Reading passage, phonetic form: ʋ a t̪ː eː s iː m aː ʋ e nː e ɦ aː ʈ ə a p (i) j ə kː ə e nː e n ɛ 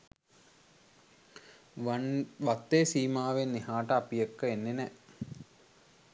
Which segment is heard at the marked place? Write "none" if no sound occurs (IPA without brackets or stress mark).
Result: i